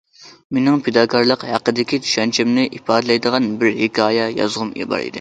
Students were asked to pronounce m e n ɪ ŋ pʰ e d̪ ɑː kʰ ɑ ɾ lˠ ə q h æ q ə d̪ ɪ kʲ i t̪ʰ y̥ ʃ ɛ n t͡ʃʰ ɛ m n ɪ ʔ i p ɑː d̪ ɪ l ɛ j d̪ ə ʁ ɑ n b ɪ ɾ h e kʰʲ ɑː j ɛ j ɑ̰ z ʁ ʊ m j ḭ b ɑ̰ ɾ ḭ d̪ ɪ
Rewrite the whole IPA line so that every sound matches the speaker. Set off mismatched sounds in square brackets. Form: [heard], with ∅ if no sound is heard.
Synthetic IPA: m e n ɪ ŋ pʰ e d̪ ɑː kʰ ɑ ɾ lˠ ə q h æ q ə d̪ ɪ kʲ i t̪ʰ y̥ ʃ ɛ n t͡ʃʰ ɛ m n ɪ ʔ i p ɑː d̪ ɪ l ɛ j d̪ ə ʁ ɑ n b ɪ ɾ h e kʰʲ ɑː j ɛ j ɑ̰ z ʁ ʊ m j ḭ b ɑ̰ ɾ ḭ d̪ ɪ